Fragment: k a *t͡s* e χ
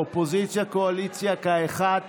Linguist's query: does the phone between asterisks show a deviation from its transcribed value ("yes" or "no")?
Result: yes